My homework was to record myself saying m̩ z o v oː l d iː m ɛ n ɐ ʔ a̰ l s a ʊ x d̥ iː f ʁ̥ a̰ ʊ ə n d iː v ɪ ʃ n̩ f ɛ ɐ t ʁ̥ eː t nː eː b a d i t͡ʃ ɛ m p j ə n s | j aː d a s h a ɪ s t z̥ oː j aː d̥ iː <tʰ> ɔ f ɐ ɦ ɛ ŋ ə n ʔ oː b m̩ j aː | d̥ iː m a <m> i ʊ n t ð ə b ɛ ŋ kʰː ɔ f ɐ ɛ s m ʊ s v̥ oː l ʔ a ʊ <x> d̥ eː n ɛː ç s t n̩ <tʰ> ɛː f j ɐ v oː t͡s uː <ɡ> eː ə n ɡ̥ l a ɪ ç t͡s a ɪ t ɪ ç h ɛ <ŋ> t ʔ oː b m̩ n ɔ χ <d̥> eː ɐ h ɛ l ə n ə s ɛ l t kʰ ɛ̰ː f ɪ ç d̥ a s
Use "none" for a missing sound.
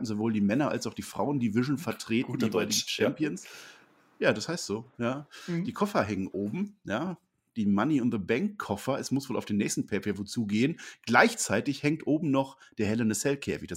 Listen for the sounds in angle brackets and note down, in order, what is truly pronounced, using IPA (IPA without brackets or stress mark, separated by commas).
kʰ, n, f, pʰ, ɡ, ŋ, d̥